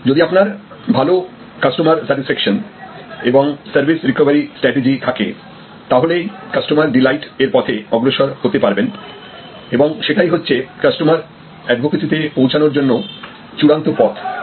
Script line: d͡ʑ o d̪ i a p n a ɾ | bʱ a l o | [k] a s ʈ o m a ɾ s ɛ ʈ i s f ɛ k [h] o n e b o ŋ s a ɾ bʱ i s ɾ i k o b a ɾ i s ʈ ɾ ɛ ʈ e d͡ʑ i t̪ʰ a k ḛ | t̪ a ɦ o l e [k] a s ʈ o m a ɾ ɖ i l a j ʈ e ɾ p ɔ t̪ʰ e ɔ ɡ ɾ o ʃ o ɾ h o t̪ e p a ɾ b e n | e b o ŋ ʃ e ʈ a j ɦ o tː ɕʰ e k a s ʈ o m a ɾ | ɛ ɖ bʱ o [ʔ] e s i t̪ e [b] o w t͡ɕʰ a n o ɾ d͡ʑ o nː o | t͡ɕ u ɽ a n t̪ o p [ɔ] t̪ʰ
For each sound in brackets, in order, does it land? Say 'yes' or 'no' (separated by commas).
yes, no, yes, no, no, yes